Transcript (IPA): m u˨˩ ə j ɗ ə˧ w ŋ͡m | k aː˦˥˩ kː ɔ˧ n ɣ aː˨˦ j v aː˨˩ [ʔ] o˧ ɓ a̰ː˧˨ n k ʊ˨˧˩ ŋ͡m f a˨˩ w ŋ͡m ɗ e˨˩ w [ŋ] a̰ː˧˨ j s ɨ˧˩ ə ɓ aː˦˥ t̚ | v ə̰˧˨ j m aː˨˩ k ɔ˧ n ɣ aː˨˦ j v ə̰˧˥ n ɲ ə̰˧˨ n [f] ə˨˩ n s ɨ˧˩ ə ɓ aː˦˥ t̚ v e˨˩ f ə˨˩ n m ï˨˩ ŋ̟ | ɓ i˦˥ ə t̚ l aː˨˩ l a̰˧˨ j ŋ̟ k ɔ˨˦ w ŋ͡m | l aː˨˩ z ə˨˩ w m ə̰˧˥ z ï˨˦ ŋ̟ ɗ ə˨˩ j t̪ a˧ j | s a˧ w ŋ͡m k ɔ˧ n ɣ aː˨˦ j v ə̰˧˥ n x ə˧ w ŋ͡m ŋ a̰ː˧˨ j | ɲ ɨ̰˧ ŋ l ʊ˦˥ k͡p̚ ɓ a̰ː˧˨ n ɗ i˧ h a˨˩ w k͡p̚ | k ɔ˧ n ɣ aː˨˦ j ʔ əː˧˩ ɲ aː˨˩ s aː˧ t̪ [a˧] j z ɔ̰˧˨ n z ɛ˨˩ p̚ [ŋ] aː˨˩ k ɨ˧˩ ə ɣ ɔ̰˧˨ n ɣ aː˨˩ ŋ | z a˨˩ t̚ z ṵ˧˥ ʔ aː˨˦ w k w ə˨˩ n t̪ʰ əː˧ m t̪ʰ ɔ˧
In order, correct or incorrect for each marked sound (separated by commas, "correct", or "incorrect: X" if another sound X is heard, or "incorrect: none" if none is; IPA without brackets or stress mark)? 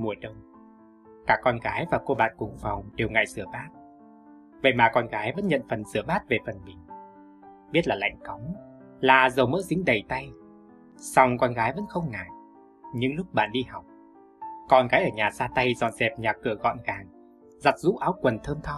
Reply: incorrect: k, correct, correct, correct, incorrect: ɲ